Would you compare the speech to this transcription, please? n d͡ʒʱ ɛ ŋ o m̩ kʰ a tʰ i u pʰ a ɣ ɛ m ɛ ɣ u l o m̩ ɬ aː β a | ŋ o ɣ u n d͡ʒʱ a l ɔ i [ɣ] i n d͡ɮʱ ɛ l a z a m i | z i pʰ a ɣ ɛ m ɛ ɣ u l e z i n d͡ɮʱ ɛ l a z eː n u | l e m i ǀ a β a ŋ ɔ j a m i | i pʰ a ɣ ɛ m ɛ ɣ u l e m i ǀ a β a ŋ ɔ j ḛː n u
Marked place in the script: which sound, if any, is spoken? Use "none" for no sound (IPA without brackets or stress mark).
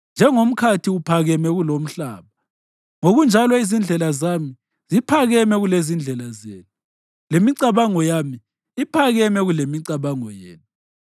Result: z